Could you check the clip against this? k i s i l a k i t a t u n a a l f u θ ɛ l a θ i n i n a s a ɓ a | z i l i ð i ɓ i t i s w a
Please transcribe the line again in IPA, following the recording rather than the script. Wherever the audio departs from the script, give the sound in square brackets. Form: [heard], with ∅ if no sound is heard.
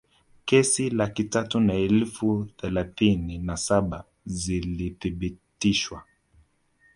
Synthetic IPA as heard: k [ɛ] s i l a k i t a t u n a [ɛ] l f u θ ɛ l a θ i n i n a s a ɓ a | z i l i [θ] i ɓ i t i [ʃ] w a